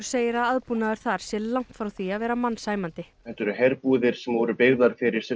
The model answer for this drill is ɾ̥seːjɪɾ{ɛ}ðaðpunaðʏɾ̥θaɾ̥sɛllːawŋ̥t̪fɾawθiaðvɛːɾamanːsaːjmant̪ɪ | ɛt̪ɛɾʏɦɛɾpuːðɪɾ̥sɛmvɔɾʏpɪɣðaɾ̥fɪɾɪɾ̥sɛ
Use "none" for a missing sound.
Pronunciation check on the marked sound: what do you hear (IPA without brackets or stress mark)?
a